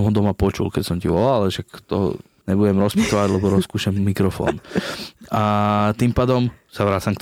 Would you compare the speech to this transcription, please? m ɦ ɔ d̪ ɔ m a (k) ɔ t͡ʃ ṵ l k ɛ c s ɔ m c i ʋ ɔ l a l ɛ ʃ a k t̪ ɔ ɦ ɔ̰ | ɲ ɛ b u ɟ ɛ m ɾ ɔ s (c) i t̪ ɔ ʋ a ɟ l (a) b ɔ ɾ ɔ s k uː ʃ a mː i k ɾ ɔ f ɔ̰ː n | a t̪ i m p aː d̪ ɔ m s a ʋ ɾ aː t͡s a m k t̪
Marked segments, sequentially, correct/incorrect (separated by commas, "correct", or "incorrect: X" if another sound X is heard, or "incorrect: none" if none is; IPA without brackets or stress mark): incorrect: p, incorrect: p, incorrect: ɛ